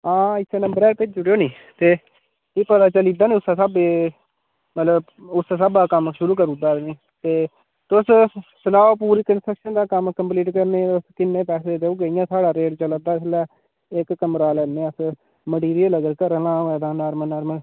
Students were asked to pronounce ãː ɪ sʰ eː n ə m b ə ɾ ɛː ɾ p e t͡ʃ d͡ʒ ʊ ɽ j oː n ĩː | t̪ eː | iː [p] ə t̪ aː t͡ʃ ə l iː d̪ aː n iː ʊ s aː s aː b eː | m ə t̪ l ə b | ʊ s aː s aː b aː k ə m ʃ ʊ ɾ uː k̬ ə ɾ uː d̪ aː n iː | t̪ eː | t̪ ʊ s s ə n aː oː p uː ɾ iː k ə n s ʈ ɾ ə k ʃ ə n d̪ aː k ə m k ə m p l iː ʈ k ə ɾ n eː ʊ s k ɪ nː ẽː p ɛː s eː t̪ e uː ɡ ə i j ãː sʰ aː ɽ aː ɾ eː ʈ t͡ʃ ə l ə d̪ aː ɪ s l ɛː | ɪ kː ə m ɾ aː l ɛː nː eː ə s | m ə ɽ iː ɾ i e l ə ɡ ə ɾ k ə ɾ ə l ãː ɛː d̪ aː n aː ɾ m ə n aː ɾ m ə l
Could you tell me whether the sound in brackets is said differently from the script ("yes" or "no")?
no